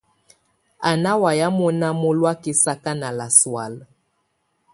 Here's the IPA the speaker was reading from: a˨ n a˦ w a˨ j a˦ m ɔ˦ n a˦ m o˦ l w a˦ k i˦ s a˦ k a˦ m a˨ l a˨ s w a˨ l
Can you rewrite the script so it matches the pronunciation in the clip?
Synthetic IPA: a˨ n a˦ w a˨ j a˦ m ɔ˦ n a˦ m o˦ l w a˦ k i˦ s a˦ k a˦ n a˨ l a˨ s w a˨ l

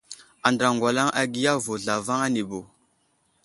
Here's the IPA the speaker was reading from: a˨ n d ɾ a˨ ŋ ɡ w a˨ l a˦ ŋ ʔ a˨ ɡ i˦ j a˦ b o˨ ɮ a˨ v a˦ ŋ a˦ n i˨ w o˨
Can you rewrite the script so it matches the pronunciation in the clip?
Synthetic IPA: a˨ n d ɾ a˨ ŋ ɡ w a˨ l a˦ ŋ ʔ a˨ ɡ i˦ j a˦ v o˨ ɮ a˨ v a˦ ŋ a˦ n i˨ b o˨

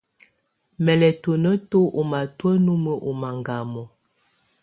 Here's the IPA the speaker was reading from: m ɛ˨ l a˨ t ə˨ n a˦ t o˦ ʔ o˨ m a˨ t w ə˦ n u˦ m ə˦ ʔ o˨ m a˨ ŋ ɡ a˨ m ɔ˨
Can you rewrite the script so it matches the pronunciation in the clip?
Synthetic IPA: m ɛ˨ l ɛ˨ t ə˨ n ə˦ t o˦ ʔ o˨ m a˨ t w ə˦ n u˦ m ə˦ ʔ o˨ m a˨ ŋ ɡ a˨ m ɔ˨

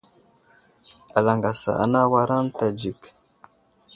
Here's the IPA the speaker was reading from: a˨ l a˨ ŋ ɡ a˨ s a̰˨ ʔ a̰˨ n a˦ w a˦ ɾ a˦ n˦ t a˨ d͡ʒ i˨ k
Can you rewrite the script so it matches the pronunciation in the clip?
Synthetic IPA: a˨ l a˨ ŋ ɡ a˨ s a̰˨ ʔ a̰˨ n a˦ w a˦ ɾ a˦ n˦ t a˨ d͡ʒ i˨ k

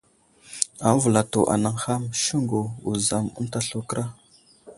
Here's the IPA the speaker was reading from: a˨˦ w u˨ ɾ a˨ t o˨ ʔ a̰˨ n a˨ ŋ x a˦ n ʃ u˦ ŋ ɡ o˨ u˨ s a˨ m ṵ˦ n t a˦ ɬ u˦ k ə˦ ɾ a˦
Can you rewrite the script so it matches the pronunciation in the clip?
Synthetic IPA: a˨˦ v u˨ l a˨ t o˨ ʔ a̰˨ n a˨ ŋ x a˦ m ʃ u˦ ŋ ɡ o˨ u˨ z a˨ m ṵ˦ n t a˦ ɬ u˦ k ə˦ ɾ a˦

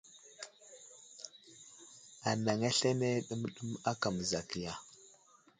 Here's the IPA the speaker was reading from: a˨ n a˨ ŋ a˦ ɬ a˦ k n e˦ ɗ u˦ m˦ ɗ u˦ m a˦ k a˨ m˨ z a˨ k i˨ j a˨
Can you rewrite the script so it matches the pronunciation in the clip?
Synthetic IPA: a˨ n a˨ ŋ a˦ ɬ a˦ n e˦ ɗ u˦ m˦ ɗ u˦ m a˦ k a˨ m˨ z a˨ k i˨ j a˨

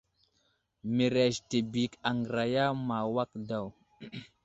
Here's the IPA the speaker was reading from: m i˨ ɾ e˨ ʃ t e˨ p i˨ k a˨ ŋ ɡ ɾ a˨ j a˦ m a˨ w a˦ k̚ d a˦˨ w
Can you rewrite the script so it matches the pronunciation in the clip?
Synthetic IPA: m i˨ ɾ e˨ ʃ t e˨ b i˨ k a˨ ŋ ɡ ɾ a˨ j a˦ m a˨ w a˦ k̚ d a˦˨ w

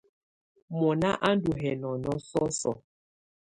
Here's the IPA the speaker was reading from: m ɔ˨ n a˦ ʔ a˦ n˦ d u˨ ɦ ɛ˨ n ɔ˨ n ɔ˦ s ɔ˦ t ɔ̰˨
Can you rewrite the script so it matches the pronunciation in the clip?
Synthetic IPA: m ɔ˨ n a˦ ʔ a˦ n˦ d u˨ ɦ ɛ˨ n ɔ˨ n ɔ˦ s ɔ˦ s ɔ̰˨

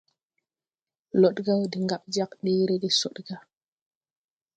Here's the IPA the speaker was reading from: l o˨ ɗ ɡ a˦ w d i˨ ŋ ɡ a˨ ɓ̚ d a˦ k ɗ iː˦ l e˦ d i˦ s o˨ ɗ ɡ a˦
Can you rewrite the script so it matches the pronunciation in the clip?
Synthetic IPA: l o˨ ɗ ɡ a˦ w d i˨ ŋ ɡ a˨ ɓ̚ d͡ʒ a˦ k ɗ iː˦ ɾ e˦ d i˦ s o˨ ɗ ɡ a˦

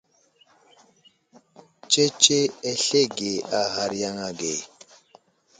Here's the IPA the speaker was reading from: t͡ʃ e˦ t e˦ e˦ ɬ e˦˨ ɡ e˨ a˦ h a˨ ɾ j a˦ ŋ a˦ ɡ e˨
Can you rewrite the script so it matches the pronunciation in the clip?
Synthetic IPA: t͡ʃ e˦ t͡ʃ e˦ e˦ ɬ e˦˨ ɡ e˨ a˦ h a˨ ɾ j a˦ ŋ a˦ ɡ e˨

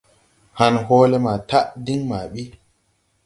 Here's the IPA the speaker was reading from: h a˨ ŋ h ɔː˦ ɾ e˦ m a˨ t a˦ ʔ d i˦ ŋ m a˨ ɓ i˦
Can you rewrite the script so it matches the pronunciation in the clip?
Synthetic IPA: h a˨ n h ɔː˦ l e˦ m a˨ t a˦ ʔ d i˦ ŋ m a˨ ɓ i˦

